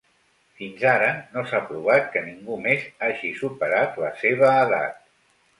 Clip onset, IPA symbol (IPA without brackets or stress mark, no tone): f